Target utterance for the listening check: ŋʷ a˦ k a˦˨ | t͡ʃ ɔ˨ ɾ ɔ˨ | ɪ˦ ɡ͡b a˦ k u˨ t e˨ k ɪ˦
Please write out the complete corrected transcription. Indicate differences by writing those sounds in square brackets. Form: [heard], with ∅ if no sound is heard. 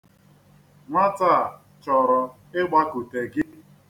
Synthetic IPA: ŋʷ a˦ [t] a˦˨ | t͡ʃ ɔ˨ ɾ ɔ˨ | ɪ˦ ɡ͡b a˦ k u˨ t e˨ [ɡ] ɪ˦